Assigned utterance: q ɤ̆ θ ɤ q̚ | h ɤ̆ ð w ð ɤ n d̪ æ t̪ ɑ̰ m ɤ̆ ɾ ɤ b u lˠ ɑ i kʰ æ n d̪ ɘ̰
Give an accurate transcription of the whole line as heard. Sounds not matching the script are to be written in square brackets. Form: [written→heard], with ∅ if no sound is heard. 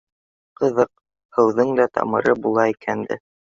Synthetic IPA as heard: q ɤ̆ [θ→ð] ɤ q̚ | h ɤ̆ [ð→∅] w ð ɤ [n→ŋ] d̪ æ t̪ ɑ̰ m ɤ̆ ɾ ɤ b u lˠ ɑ i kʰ æ n d̪ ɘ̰